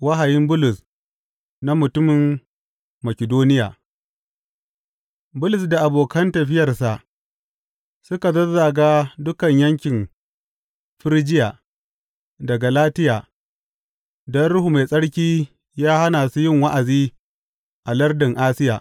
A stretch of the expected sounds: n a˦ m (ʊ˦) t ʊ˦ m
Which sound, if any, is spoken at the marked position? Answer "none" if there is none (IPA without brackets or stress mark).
ʊ˨